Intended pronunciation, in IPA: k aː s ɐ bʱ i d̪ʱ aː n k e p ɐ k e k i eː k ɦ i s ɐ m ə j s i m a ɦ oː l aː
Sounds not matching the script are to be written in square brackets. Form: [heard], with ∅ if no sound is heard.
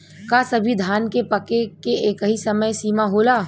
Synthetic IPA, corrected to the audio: k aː s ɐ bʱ i d̪ʱ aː n k e p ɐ k e k [e] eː k ɦ i s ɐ m ə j s [iː] m a ɦ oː l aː